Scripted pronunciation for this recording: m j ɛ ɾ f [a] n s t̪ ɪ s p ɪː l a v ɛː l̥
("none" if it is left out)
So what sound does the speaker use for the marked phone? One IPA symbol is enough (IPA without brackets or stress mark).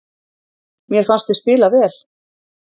a